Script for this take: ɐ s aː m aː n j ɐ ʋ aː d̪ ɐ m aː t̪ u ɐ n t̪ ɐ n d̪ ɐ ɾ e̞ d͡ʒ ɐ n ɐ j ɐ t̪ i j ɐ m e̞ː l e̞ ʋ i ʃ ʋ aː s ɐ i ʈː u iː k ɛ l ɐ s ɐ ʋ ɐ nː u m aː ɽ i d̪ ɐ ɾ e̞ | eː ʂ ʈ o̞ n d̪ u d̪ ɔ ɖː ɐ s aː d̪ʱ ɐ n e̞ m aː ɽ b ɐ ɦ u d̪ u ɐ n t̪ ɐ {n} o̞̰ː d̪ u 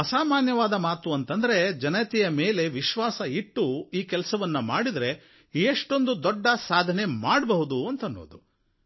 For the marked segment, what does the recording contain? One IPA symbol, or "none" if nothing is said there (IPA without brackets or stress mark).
nː